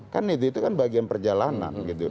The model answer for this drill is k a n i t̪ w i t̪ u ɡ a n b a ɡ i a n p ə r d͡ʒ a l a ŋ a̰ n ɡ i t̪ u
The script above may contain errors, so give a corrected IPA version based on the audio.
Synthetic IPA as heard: k a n i t̪ u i t̪ u k a n b a ɡ i a n p ə r d͡ʒ a l a n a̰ n ɡ i t̪ u